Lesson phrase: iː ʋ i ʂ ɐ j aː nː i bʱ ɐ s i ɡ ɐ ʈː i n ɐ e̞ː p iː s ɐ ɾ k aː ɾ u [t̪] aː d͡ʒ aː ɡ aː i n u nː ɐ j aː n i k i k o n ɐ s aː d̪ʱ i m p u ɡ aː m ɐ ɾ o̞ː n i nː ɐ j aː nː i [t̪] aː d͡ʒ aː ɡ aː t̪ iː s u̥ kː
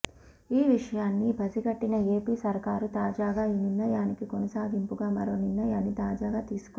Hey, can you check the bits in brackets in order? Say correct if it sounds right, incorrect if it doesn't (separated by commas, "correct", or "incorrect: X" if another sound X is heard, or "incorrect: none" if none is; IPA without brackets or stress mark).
correct, correct